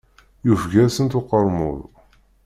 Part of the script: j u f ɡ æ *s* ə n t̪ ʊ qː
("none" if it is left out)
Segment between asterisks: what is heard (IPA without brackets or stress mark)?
s